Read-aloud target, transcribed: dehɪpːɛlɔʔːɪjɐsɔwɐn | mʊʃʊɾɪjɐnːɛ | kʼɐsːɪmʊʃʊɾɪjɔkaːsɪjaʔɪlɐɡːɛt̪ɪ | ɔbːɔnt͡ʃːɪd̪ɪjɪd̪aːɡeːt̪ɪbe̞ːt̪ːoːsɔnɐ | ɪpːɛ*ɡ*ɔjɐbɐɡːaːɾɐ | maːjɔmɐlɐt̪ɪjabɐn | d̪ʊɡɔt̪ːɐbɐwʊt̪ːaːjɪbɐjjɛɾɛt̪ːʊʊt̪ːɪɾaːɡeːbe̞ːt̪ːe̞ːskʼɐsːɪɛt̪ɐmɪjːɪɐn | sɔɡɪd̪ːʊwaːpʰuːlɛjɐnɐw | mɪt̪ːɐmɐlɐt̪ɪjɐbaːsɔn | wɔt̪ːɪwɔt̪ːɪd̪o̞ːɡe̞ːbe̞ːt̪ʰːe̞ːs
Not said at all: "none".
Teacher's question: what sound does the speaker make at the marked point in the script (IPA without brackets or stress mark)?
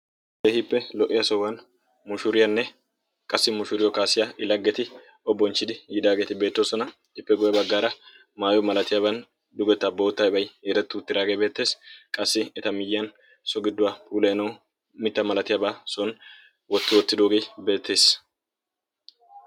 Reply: ɡ